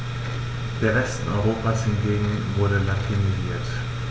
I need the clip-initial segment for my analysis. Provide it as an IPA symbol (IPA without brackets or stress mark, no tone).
d̥